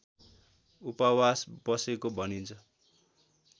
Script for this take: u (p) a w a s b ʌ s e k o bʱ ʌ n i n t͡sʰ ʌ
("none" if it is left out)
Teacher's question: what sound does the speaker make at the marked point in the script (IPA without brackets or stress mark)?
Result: p